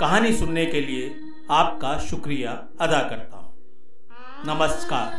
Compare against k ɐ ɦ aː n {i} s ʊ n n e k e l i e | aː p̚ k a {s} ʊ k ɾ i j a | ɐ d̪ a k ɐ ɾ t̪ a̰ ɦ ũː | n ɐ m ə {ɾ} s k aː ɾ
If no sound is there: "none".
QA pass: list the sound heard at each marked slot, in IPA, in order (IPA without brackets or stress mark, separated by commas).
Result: i, ʃ, none